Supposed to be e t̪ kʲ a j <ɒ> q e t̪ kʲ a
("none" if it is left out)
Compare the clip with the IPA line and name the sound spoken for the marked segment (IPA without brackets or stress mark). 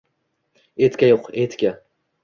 o